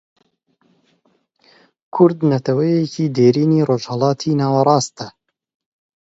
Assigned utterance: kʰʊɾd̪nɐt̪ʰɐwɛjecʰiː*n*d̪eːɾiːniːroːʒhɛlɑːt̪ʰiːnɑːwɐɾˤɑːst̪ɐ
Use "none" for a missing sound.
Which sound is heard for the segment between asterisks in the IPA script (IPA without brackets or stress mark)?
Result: none